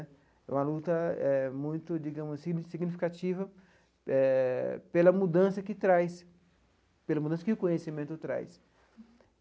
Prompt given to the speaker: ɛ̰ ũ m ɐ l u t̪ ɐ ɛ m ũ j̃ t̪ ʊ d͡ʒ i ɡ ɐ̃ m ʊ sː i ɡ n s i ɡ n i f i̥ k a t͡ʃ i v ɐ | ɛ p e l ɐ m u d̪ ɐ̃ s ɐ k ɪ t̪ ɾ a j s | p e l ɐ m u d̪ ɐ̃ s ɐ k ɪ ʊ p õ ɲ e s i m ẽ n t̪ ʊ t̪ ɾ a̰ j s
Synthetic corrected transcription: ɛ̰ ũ m ɐ l u t̪ ɐ ɛ m ũ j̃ t̪ ʊ d͡ʒ i ɡ ɐ̃ m ʊ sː i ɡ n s i ɡ n i f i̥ k a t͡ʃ i v ɐ | ɛ p e l ɐ m u d̪ ɐ̃ s ɐ k ɪ t̪ ɾ a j s | p e l ɐ m u d̪ ɐ̃ s ɐ k ɪ ʊ k õ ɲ e s i m ẽ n t̪ ʊ t̪ ɾ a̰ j s

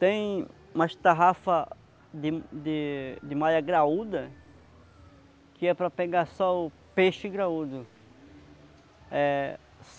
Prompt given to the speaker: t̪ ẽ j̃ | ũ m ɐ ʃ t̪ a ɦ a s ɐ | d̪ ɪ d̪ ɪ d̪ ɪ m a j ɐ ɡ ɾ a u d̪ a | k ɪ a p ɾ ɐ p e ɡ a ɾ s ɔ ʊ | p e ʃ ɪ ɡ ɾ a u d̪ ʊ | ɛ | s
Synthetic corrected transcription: t̪ ẽ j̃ | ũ m ɐ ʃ t̪ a ɦ a f ɐ | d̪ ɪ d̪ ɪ d̪ ɪ m a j ɐ ɡ ɾ a u d̪ ɐ | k ɪ ɛ p ɾ ɐ p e ɡ a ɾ s ɔ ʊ | p e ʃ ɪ ɡ ɾ a u d̪ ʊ | ɛ | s

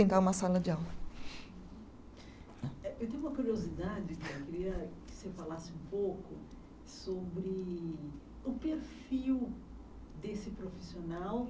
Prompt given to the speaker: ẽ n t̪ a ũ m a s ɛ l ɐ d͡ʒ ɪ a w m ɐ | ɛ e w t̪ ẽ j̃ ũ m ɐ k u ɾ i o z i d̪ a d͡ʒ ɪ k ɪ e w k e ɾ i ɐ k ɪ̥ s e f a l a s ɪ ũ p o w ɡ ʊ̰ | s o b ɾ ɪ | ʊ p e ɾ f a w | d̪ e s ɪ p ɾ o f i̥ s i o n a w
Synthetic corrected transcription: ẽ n t̪ a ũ m ɐ s a l ɐ d͡ʒ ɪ a w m ɐ | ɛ e w t̪ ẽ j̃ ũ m ɐ k u ɾ i o z i d̪ a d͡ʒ ɪ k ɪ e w k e ɾ i ɐ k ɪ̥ s e f a l a s ɪ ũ p o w k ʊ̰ | s o b ɾ ɪ | ʊ p e ɾ f i w | d̪ e s ɪ p ɾ o f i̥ s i o n a w

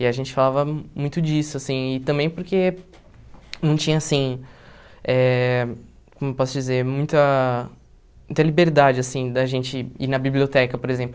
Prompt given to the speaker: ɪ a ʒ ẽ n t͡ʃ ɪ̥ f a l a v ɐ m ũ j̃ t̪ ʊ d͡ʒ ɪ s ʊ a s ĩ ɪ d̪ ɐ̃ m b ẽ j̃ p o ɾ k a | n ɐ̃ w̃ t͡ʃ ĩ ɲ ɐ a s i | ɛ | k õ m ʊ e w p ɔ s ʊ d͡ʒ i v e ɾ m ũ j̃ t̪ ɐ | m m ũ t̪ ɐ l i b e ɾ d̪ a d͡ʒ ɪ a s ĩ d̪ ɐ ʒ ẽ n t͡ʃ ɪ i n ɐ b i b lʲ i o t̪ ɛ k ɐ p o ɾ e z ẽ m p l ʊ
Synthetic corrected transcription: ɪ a ʒ ẽ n t͡ʃ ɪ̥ f a l a v ɐ m ũ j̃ t̪ ʊ d͡ʒ i s ʊ a s ĩ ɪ t̪ ɐ̃ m b ẽ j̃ p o ɾ k e | n ɐ̃ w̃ t͡ʃ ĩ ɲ ɐ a s ĩ | ɛ | k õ m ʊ e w p ɔ s ʊ d͡ʒ i z e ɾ m ũ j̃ t̪ ɐ | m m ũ t̪ ɐ l i b e ɾ d̪ a d͡ʒ ɪ a s ĩ d̪ ɐ ʒ ẽ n t͡ʃ ɪ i n ɐ b i b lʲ i o t̪ ɛ k ɐ p o ɾ e z ẽ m p l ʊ

